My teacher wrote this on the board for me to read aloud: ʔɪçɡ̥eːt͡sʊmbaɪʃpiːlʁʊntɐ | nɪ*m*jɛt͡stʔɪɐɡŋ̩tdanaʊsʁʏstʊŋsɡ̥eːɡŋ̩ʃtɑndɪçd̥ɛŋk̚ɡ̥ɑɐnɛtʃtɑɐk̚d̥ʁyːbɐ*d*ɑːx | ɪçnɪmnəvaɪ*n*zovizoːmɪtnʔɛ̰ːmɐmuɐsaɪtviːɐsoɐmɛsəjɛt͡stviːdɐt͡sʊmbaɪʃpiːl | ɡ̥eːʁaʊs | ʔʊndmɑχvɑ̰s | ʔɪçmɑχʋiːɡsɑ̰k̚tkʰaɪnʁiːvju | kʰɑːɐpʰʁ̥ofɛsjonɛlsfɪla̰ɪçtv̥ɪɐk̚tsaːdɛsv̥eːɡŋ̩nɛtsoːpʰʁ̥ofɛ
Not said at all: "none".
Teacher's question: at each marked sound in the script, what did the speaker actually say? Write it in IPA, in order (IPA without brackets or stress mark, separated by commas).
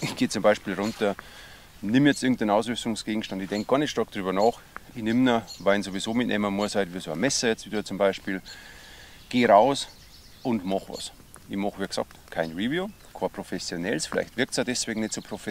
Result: m, n, n